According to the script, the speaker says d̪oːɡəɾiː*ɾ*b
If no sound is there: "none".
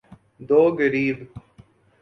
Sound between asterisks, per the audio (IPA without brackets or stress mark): none